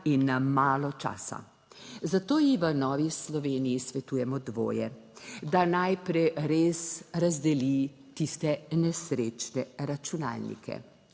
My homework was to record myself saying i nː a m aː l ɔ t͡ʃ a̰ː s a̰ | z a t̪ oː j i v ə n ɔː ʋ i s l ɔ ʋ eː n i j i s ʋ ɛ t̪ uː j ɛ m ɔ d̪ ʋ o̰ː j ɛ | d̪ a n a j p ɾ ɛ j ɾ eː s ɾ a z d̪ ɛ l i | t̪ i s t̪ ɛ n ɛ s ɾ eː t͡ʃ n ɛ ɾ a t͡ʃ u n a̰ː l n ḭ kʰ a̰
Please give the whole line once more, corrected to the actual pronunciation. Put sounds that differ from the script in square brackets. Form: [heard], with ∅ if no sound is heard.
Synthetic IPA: i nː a m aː l ɔ t͡ʃ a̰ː s a̰ | z a t̪ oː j i [ʋ] ə n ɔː ʋ i s l ɔ ʋ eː n i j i s ʋ ɛ t̪ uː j ɛ m ɔ d̪ ʋ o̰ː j ɛ | d̪ a n a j p ɾ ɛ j ɾ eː s ɾ a z d̪ ɛ l i | t̪ i s t̪ ɛ n ɛ s ɾ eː t͡ʃ n ɛ ɾ a t͡ʃ u n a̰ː l n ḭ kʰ [ɛ̰]

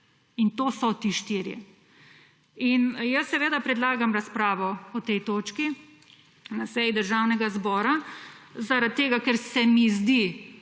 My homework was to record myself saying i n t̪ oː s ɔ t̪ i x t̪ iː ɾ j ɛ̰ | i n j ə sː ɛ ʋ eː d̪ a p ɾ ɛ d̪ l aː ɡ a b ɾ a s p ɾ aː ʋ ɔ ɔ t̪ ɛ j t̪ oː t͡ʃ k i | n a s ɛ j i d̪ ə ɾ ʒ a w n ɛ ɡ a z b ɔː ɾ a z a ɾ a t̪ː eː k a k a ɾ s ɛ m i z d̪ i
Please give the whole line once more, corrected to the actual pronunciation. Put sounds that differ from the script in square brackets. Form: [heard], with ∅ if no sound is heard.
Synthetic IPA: i n t̪ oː s ɔ t̪ i [ʃ] t̪ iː ɾ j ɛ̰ | i n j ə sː ɛ ʋ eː d̪ a p ɾ ɛ d̪ l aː ɡ a [m] ɾ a s p ɾ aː ʋ ɔ ɔ t̪ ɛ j t̪ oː t͡ʃ k i | n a s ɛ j i d̪ ə ɾ ʒ a w n ɛ ɡ a z b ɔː ɾ a z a ɾ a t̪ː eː [ɡ] a k [ɛ] ɾ s ɛ m i z d̪ i

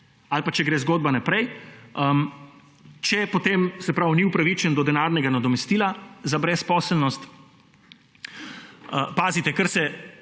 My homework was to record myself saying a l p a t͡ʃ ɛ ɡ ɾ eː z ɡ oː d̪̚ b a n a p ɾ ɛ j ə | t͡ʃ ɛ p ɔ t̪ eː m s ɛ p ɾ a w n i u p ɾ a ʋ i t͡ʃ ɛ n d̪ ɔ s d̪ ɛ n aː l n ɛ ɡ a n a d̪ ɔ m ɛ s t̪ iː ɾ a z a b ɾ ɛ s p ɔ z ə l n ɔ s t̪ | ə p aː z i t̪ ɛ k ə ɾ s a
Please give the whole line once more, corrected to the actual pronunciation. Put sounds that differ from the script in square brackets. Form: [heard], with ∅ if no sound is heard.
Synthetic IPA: a l p a t͡ʃ ɛ ɡ ɾ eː z ɡ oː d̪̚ b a n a p ɾ ɛ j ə | t͡ʃ ɛ p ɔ t̪ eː m s ɛ p ɾ a w n i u p ɾ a ʋ i t͡ʃ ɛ n d̪ ɔ [∅] d̪ ɛ n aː [ɾ] n ɛ ɡ a n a d̪ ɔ m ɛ s t̪ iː [l] a z a b ɾ ɛ s p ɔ [s] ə l n ɔ s t̪ | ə p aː z i t̪ ɛ k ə ɾ s [ɛ]

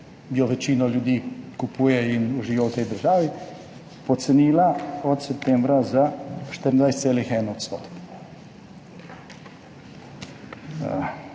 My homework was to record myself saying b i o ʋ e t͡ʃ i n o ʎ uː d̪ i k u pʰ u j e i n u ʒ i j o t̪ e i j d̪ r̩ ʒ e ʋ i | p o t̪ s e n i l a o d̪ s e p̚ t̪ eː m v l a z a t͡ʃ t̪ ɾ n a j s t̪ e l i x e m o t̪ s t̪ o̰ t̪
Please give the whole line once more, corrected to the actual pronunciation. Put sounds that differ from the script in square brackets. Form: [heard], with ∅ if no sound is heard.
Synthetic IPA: b i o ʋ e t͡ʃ i n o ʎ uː d̪ i k u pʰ u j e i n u ʒ i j o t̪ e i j d̪ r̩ ʒ [a] ʋ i | p o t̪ s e n i l a o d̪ s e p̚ t̪ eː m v [ɾ] a z a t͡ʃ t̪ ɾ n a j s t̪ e l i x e [n] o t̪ s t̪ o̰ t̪

